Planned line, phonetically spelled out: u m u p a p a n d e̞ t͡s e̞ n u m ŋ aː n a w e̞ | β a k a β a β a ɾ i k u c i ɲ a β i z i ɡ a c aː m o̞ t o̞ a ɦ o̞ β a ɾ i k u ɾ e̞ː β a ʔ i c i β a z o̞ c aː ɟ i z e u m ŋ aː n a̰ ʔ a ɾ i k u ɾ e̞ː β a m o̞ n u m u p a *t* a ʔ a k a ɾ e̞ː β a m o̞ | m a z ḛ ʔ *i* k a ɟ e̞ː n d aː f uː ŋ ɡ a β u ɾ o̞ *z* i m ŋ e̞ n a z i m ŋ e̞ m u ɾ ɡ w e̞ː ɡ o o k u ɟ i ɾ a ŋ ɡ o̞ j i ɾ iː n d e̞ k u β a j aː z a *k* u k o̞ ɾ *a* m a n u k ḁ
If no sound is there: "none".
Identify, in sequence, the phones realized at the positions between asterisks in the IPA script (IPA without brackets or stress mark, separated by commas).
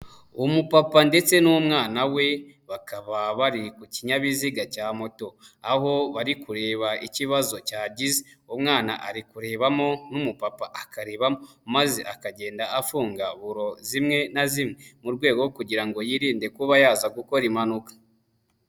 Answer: p, a, z, ɡ, i